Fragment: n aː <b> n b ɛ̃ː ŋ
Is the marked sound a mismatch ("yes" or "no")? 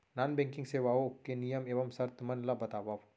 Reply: yes